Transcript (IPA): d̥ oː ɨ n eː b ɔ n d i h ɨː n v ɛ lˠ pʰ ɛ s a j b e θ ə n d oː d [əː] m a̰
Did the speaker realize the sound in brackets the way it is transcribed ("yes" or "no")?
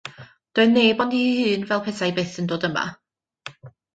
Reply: no